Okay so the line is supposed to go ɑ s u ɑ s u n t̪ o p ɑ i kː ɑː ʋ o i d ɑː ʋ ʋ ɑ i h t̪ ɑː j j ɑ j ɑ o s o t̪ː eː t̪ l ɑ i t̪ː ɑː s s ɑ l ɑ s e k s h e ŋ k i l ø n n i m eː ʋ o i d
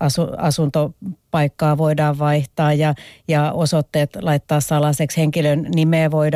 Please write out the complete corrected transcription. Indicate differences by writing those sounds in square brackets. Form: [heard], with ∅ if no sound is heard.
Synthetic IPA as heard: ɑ s u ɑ s u n t̪ o p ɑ i kː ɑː ʋ o i d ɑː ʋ ʋ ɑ i h t̪ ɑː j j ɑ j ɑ o s o t̪ː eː t̪ l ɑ i t̪ː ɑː s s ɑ l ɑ s e k s h e ŋ k i l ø n n i m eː ʋ o i d